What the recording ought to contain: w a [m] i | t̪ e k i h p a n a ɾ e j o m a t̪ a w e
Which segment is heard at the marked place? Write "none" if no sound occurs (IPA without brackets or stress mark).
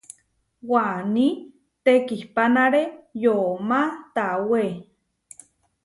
n